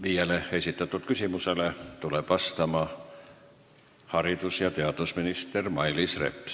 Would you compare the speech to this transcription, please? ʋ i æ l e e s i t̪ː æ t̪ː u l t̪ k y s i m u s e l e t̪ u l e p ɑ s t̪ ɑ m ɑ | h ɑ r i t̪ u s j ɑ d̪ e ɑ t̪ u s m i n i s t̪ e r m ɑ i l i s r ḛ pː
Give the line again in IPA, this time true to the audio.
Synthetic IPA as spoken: ʋ i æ l e e s i t̪ː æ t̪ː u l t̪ k y s i m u s e l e t̪ u l e p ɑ s t̪ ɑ m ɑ | h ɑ r i t̪ u s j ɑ t̪ e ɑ t̪ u s m i n i s t̪ e r m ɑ i l i s r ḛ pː